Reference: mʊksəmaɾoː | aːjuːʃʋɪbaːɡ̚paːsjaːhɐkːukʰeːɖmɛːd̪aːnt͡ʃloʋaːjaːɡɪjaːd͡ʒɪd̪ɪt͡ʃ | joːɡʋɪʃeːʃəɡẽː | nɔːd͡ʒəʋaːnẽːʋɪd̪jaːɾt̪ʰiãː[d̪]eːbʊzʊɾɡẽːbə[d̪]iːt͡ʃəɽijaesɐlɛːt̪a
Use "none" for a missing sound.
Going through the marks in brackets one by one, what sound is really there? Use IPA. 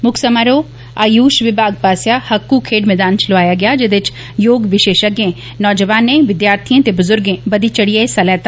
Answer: t̪, d̪

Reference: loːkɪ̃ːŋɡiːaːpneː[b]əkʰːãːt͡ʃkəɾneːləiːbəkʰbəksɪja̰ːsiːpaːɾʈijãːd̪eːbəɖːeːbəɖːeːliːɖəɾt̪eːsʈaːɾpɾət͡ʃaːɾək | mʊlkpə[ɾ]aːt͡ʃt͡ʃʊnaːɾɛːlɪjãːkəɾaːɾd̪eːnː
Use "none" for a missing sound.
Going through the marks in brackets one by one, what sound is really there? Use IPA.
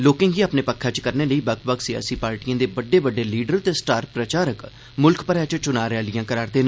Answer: p, ɾ

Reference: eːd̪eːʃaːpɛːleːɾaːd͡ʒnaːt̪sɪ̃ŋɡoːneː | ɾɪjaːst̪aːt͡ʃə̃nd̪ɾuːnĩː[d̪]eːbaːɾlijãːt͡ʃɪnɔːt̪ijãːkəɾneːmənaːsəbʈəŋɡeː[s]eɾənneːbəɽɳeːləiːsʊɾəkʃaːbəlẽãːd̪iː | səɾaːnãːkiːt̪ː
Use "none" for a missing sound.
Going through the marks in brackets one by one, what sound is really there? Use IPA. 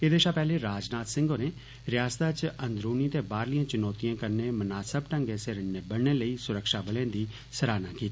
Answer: t̪, s

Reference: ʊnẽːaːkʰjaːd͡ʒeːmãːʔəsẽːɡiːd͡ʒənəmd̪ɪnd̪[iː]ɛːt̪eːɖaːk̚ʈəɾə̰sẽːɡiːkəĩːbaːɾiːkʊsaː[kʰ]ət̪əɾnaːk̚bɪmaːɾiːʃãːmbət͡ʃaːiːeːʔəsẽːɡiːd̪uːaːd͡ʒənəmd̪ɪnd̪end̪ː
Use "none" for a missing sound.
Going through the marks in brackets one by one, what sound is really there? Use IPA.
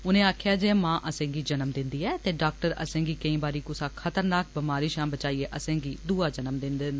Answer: iː, kʰ

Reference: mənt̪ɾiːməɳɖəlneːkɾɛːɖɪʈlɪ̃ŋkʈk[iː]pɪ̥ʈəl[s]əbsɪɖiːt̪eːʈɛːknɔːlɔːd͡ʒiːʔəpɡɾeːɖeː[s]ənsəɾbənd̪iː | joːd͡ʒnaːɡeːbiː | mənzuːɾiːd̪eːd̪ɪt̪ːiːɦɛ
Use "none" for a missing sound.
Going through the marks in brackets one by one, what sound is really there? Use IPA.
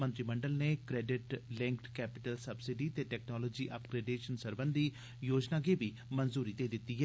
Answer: ɛː, s, ʃ

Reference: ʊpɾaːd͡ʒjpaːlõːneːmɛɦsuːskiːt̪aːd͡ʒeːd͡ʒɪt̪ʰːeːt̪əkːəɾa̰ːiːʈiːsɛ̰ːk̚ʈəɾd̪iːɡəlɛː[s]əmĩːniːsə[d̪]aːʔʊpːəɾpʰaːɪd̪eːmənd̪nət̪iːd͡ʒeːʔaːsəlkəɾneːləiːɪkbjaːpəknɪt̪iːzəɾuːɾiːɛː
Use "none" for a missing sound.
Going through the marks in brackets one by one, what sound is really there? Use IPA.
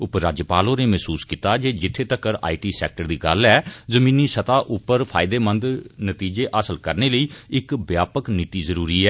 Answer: z, t̪

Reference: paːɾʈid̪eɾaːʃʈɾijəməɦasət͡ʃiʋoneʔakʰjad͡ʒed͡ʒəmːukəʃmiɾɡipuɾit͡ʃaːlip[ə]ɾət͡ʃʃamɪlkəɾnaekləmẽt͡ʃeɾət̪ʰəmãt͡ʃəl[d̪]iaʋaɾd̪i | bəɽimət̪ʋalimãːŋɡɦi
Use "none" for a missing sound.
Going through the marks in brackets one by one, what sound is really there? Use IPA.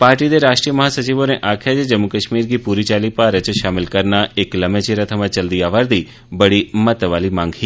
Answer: a, d̪

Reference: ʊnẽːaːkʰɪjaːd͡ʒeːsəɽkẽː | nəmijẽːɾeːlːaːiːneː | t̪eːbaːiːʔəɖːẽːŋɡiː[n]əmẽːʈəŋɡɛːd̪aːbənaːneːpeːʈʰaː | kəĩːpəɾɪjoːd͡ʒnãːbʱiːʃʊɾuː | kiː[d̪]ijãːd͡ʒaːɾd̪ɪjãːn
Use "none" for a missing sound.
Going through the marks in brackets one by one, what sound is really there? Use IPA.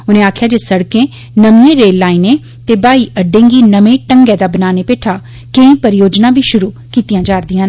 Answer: n, t̪

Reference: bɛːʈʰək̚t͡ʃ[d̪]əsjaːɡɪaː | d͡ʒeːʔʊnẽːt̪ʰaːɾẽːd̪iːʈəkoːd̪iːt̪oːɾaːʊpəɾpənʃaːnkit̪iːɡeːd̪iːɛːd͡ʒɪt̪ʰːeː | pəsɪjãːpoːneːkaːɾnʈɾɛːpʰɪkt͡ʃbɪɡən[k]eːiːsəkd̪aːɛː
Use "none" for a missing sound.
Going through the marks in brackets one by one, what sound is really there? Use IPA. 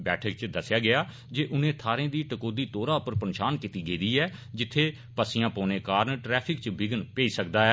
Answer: d̪, p

